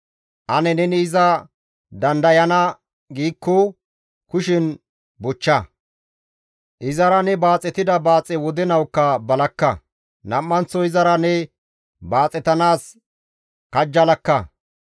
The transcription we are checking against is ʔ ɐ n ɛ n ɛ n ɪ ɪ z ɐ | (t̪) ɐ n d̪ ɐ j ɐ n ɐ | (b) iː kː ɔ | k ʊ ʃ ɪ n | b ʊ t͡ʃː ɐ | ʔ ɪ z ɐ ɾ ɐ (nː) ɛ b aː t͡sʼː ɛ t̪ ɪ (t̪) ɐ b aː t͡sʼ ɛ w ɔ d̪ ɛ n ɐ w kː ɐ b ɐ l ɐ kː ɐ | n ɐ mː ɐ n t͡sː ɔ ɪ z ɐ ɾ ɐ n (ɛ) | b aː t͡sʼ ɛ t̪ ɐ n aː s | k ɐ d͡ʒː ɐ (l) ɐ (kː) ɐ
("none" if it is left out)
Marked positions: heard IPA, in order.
d̪, ɡ, n, d̪, ɛ, l, kː

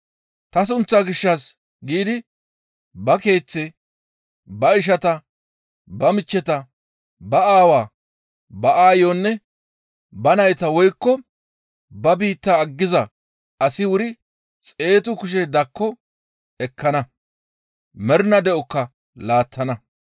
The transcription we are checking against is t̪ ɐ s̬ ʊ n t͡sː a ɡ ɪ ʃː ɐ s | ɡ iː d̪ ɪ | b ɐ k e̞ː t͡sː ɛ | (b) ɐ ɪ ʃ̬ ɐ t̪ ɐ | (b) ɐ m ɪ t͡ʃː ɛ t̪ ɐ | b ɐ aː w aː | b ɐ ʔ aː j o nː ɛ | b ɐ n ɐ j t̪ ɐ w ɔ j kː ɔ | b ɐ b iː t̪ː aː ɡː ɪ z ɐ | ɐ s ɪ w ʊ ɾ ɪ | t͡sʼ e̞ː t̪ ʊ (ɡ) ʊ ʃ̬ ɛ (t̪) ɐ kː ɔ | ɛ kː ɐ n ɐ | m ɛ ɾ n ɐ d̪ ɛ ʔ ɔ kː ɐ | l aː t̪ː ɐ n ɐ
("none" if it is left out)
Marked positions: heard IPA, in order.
b, b, k, d̪

